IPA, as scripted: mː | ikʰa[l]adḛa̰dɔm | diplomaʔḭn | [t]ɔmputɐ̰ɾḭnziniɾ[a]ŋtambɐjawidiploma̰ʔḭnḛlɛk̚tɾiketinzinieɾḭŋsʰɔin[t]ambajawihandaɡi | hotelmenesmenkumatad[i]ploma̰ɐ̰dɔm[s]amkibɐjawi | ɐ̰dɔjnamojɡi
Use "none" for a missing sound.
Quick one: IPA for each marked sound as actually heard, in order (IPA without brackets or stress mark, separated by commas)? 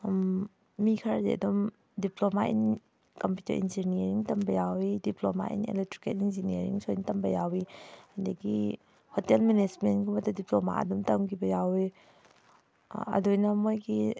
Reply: ɾ, k, i, t, i, t